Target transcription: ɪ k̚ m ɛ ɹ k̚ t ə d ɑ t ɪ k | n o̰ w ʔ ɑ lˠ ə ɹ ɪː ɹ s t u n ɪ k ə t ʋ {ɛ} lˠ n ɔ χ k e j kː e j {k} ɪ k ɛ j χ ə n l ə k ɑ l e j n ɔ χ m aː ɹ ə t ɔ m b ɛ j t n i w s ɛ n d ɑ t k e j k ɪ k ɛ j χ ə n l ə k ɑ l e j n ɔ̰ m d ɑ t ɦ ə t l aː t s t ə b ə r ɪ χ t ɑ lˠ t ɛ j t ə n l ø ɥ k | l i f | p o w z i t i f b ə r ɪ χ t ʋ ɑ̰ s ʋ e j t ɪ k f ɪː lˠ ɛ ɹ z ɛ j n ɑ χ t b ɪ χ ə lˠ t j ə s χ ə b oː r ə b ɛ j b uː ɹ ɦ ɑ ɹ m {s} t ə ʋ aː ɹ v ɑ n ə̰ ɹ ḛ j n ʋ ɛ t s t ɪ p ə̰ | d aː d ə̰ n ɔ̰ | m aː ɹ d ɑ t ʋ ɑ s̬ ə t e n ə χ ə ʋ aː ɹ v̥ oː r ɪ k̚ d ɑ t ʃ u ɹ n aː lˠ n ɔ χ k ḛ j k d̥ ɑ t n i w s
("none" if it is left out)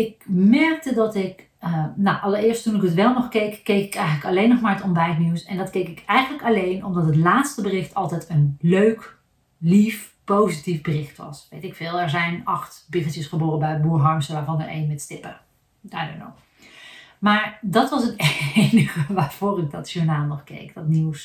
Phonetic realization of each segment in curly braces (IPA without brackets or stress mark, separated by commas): ɛ, k, s